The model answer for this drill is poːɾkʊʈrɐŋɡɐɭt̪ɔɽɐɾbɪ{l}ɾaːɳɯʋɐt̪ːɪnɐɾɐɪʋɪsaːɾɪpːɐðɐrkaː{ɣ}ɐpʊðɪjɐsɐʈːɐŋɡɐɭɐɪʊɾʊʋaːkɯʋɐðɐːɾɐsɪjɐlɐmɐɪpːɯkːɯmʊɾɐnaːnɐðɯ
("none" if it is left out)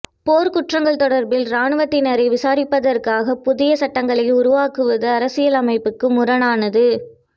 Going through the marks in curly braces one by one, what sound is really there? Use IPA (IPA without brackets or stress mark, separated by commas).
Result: l, ɣ